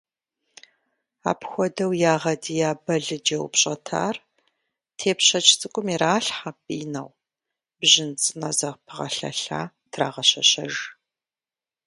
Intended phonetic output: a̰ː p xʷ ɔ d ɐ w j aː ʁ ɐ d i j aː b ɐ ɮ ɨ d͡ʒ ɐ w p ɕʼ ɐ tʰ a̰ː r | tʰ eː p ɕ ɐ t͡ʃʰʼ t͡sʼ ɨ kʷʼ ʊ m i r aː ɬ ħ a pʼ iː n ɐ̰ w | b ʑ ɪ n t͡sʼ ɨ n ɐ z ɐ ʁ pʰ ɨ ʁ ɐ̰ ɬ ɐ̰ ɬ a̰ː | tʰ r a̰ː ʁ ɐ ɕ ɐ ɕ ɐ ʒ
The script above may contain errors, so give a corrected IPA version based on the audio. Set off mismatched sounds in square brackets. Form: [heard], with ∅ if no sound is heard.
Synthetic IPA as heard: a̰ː p xʷ ɔ d ɐ w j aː ʁ ɐ d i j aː b ɐ ɮ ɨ d͡ʒ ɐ w p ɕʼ ɐ tʰ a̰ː r | tʰ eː p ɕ ɐ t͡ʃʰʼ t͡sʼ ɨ kʷʼ ʊ m i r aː ɬ ħ a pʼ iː n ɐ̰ w | b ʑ ɪ n t͡sʼ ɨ n ɐ z ɐ ʁ pʰ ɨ ʁ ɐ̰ ɬ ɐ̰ ɬ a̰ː | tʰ r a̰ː ʁ ɐ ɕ ɐ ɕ ɐ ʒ